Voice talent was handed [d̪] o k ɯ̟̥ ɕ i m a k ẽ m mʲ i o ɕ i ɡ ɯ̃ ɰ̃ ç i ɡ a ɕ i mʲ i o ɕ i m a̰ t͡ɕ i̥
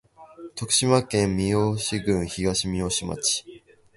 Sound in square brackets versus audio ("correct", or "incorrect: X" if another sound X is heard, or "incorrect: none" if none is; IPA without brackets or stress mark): incorrect: t̪